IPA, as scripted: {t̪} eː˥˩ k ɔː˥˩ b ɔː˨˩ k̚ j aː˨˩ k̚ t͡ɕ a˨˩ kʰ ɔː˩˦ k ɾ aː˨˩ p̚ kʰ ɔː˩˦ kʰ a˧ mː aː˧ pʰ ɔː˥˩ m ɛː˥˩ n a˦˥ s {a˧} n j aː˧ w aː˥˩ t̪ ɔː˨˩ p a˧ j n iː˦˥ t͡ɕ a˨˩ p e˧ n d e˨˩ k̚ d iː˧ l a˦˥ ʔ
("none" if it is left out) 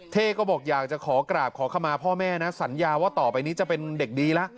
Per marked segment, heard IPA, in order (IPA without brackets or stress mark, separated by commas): t̪ʰ, a˩˦